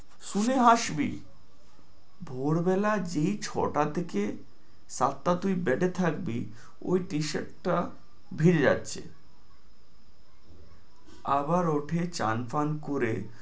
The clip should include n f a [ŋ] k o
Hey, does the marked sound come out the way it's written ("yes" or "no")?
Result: no